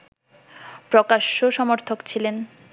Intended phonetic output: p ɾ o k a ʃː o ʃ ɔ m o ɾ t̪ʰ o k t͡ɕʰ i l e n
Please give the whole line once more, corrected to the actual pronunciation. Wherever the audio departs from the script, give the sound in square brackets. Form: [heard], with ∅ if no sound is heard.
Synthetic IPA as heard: p ɾ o k a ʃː o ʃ ɔ m o ɾ t̪ʰ o k t͡ɕʰ i l e n